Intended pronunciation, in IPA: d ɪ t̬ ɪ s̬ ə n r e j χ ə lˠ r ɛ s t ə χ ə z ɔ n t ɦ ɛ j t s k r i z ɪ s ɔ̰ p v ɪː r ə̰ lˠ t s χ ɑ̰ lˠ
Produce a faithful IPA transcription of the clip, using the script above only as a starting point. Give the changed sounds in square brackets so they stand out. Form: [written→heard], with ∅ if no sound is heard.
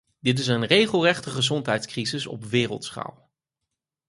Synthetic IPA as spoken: d ɪ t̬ ɪ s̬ ə n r e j χ ə lˠ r ɛ [s→χ] t ə χ ə z ɔ n t ɦ ɛ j t s k r i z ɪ s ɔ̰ p [v→ʋ] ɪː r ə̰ lˠ t s χ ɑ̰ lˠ